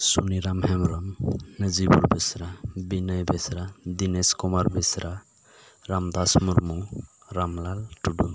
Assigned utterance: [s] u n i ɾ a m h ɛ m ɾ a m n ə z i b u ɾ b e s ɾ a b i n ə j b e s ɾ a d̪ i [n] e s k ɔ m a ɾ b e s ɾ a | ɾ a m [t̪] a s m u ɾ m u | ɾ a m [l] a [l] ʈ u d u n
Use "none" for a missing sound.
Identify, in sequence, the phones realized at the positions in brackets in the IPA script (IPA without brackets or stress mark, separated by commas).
s, n, d̪, l, l